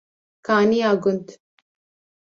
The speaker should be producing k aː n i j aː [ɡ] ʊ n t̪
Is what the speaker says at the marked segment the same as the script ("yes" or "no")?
yes